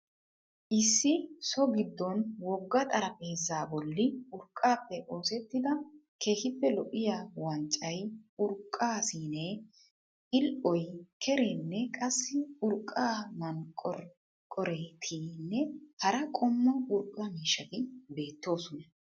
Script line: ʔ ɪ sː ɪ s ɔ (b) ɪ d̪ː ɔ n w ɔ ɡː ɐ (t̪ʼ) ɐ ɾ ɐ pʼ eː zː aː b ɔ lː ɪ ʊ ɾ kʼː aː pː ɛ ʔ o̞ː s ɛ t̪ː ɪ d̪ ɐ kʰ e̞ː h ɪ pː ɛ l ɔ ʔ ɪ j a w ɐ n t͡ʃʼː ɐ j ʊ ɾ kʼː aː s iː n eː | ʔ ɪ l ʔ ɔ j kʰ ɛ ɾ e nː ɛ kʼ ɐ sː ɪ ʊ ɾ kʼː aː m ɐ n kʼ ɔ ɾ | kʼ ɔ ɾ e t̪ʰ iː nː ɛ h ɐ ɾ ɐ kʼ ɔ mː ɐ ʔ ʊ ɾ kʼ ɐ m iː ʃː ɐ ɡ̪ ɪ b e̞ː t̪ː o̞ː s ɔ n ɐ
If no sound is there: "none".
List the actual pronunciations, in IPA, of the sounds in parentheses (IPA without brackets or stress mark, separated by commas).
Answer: ɡ, t̪ʼ